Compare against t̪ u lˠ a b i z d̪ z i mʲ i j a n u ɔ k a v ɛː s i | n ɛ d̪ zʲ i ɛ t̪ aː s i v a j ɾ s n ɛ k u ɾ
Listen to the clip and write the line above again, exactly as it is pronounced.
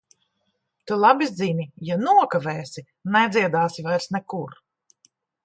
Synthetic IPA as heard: t̪ u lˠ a b i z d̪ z i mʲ i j a n u ɔ k a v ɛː s i | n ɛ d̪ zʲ i ɛ d̪ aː s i v a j ɾ s n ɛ k u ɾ